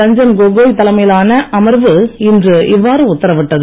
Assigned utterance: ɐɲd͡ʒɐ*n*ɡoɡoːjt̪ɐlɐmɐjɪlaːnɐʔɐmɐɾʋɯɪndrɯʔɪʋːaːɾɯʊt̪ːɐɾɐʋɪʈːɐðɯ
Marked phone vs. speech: correct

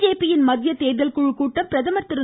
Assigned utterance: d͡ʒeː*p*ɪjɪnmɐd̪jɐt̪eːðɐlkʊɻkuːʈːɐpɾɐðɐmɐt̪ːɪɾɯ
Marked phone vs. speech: correct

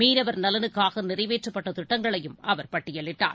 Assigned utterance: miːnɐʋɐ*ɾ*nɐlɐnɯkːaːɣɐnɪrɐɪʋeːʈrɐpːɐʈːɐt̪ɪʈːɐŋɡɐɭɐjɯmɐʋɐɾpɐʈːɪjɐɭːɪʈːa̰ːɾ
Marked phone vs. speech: correct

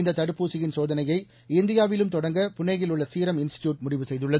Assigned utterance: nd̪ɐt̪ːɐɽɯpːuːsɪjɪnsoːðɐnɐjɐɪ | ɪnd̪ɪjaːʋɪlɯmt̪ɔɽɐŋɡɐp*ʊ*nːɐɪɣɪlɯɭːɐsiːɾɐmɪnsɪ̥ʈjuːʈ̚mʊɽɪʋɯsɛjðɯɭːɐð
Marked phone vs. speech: correct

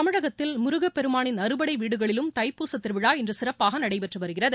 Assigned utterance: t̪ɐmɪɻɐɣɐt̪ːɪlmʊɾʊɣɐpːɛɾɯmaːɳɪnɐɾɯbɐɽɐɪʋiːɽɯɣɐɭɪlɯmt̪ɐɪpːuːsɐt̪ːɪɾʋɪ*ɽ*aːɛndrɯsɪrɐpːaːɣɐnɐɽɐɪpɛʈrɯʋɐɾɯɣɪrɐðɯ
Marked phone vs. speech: correct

